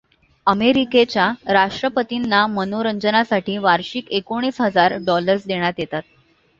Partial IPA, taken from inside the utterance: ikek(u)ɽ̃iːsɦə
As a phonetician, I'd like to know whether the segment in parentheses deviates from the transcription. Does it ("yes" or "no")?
yes